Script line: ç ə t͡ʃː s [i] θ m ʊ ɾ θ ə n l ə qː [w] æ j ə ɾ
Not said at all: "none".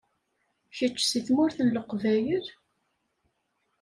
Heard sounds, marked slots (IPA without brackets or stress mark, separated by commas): i, v